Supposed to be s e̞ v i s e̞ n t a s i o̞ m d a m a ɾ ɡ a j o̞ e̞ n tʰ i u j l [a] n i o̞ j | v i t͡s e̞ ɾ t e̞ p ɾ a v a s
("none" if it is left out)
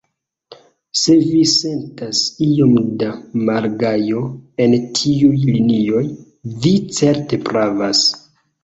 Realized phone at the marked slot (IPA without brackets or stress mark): i